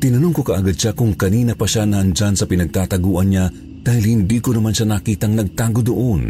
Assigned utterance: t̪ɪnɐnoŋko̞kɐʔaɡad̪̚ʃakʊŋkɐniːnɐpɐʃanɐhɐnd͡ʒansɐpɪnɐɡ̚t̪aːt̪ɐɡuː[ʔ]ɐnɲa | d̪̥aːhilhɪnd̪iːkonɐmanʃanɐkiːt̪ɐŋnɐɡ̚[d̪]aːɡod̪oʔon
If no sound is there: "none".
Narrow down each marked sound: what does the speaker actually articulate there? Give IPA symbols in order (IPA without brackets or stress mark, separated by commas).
ʔ, t̪